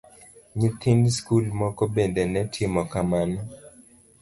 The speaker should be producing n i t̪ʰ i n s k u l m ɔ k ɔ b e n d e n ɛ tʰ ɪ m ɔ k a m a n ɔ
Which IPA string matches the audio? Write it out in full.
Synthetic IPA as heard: ɲ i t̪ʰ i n s k u l m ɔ k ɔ b e n d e n ɛ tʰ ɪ m ɔ k a m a n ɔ